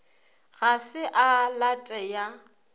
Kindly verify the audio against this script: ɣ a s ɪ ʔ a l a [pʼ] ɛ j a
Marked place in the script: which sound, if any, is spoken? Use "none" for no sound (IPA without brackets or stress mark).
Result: tʼ